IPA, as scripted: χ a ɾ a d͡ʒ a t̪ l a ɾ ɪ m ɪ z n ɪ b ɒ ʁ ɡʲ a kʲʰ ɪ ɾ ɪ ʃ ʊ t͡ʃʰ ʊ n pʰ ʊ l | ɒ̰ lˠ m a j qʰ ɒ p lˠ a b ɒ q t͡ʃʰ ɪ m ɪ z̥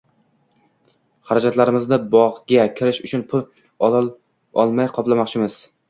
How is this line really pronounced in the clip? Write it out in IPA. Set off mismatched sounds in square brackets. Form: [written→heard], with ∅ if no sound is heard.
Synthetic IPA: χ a ɾ a d͡ʒ a t̪ l a ɾ ɪ m ɪ z n ɪ b ɒ ʁ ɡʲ a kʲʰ ɪ ɾ ɪ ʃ ʊ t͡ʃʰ ʊ n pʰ ʊ l | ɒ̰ lˠ m a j qʰ ɒ p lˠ a [b→m] ɒ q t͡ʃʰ ɪ m ɪ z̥